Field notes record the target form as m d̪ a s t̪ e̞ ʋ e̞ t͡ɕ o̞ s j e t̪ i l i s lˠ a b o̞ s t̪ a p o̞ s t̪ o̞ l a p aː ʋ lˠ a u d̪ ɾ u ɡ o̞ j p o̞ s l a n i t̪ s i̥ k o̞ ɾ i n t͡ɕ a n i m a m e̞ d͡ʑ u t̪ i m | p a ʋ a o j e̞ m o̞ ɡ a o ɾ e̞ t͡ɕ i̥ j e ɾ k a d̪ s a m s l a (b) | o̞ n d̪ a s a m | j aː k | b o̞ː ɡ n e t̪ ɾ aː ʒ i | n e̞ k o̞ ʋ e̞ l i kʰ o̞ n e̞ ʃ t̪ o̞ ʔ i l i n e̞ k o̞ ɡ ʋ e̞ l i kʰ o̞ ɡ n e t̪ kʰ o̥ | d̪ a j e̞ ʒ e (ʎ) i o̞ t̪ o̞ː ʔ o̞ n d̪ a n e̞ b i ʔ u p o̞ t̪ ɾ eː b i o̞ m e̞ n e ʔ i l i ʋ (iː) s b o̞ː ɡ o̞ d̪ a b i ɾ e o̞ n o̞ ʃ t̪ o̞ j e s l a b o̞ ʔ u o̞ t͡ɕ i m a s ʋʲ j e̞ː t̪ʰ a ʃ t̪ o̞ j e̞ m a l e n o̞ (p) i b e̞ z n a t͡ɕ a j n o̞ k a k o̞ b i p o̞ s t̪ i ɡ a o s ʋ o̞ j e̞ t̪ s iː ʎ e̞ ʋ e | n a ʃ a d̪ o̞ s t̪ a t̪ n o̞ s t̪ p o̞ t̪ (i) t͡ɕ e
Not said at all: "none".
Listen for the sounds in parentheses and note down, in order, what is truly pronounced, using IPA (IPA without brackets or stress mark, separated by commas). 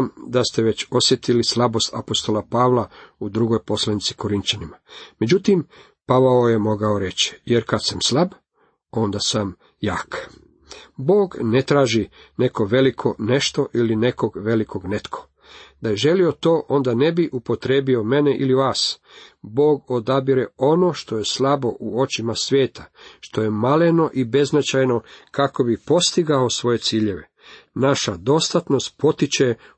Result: b, l, aː, ʔ, i